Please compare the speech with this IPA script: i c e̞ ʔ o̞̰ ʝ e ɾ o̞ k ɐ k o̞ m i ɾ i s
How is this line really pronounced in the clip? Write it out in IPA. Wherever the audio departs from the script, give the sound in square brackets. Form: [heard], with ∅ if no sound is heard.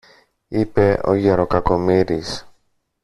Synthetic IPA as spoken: i [p] e̞ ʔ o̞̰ ʝ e ɾ o̞ k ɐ k o̞ m i ɾ i s